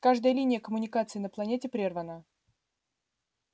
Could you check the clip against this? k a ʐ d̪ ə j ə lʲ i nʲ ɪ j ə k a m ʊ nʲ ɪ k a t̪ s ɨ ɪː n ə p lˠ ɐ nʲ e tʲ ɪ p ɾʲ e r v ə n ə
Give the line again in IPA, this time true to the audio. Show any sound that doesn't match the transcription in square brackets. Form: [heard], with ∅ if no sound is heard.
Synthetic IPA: k a ʐ d̪ ə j ə lʲ i nʲ ɪ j ə k [ə] m ʊ nʲ ɪ k a t̪ s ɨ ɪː n ə p lˠ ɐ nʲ e tʲ ɪ p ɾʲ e r v ə n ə